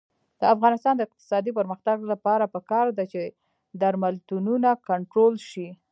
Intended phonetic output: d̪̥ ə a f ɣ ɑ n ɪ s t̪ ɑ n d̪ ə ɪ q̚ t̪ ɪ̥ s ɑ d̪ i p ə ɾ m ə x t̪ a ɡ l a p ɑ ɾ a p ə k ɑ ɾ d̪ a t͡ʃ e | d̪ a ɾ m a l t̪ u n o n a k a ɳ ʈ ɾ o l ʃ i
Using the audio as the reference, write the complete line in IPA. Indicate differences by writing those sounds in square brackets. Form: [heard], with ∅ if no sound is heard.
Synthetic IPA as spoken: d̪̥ ə a f ɣ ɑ n ɪ s t̪ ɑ n d̪ ə ɪ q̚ t̪ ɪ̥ s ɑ d̪ i p ə ɾ m ə x t̪ a ɡ l a p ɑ ɾ a p ə k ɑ ɾ d̪ a t͡ʃ e | d̪ a ɾ m a l t̪ u n [u] n a k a ɳ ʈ ɾ o l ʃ i

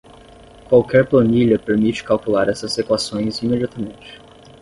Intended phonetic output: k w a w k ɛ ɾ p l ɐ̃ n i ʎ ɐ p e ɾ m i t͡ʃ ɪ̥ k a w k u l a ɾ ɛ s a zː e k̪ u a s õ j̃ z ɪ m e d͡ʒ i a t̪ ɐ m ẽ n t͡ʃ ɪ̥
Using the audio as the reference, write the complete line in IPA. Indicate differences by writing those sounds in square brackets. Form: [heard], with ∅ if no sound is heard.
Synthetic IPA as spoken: k w a w k ɛ ɾ p l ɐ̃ n i ʎ ɐ p e ɾ m i t͡ʃ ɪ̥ k a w k u l a ɾ ɛ s [ɐ] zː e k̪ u a s õ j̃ z [i] m e d͡ʒ i a t̪ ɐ m ẽ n t͡ʃ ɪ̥

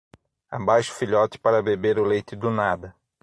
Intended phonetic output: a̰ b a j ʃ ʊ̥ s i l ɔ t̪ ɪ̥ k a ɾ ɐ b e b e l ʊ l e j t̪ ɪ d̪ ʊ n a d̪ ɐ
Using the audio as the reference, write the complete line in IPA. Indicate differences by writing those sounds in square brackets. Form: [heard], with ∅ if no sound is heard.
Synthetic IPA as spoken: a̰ b a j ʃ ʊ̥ [f] i [ʎ] ɔ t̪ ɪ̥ [p] a ɾ ɐ b e b e [ɾ] ʊ l e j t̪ ɪ d̪ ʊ n a d̪ ɐ

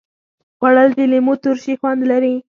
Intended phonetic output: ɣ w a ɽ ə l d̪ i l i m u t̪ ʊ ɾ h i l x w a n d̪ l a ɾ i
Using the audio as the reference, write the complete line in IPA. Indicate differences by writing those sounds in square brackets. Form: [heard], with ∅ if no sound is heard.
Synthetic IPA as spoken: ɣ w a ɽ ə l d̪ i l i m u t̪ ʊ ɾ [ʃ] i [∅] x w a n d̪ l a ɾ i

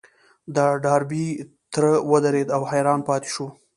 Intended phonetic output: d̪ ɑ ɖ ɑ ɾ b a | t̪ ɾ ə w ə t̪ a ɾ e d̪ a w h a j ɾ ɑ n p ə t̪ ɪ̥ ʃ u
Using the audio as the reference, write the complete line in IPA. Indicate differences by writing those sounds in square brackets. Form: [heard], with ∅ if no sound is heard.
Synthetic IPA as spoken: d̪ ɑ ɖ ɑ ɾ b [i] | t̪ ɾ ə w ə [d̪] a ɾ e d̪ a w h a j ɾ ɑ n p [ɑ] t̪ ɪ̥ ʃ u

